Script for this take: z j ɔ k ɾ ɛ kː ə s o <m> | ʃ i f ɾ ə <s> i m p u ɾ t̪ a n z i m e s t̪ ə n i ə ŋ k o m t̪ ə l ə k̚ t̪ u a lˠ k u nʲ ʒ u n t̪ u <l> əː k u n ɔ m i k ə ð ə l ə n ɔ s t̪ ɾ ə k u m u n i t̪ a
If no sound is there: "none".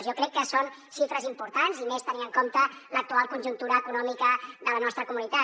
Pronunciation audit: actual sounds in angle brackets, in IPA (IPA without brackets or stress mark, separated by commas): n, z, ɾ